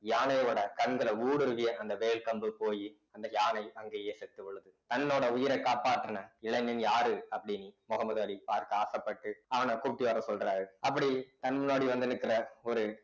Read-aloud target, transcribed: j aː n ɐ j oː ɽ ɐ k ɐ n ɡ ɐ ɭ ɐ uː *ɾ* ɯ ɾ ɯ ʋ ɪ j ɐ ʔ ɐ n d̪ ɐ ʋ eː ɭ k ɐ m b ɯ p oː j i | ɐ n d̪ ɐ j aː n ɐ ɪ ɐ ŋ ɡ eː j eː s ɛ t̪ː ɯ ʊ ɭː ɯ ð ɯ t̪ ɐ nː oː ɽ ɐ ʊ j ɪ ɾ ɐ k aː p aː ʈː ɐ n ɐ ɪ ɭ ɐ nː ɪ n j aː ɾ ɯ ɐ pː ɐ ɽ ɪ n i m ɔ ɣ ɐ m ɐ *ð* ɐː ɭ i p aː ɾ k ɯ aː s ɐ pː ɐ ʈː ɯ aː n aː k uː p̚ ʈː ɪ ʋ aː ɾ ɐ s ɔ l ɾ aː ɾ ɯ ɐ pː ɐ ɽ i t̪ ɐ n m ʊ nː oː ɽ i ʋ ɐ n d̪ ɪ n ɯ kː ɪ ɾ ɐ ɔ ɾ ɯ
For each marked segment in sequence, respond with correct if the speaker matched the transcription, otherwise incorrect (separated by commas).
incorrect, correct